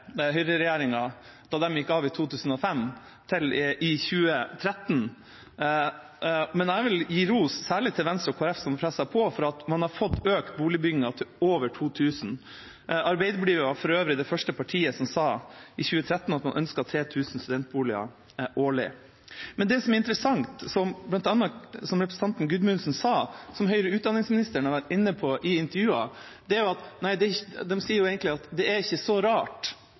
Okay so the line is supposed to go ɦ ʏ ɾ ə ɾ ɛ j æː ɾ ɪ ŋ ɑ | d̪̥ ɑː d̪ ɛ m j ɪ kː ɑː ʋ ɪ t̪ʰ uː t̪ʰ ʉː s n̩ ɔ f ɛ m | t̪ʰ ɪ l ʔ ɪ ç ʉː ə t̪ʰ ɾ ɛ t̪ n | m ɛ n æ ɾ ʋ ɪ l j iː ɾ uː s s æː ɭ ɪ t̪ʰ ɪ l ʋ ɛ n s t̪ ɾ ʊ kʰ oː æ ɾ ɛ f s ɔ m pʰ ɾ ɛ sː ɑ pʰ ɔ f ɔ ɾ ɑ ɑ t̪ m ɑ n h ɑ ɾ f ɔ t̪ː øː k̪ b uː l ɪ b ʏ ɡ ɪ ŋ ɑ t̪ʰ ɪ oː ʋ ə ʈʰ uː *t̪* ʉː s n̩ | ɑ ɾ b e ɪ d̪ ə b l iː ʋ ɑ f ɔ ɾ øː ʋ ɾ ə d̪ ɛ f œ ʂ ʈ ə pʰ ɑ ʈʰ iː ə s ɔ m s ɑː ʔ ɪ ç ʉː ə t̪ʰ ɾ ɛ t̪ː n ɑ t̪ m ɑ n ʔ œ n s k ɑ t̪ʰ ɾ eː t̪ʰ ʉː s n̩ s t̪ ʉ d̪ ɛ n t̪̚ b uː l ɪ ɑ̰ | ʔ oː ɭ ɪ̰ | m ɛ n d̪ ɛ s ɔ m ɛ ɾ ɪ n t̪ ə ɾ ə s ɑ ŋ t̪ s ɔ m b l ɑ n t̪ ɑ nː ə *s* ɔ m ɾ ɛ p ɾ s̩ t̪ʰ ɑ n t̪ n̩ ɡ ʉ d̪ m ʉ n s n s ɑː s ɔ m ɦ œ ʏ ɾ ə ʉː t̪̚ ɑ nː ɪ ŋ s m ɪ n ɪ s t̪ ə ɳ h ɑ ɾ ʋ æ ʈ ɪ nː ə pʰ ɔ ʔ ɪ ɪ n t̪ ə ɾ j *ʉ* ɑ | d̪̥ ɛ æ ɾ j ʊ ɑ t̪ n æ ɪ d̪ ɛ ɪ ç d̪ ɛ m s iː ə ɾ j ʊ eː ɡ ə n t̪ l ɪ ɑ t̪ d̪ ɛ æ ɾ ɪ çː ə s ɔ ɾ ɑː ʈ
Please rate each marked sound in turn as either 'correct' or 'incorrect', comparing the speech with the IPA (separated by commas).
incorrect, correct, incorrect